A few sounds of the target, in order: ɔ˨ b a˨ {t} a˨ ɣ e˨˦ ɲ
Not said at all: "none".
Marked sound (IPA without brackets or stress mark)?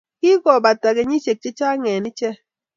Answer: t